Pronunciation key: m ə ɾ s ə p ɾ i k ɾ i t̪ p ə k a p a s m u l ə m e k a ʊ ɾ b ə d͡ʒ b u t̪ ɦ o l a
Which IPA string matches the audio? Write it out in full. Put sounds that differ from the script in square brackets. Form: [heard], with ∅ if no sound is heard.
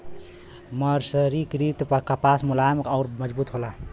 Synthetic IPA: m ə ɾ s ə [∅] ɾ i k ɾ i t̪ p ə k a p a s m u l [a] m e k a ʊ ɾ [m] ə d͡ʒ b u t̪ ɦ o l a